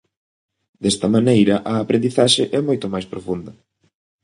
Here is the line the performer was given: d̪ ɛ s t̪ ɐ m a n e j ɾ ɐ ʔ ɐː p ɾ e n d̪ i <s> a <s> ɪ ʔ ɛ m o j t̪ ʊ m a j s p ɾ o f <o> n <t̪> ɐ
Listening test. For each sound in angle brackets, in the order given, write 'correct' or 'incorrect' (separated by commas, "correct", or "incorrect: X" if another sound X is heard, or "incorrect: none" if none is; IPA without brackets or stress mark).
incorrect: θ, incorrect: ʃ, incorrect: u, incorrect: d̪